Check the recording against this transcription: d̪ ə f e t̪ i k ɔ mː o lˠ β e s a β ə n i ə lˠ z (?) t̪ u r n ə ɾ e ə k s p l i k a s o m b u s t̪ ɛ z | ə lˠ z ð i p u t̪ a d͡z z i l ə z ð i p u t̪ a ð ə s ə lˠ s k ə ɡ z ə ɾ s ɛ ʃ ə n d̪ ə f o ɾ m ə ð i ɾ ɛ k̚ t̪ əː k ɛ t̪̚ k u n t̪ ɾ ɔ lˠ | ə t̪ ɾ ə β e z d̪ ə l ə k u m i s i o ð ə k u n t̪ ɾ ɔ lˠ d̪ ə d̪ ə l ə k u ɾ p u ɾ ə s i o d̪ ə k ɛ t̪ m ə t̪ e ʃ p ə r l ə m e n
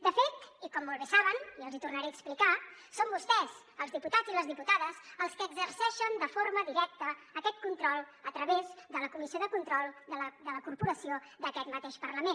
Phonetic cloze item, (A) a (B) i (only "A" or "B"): B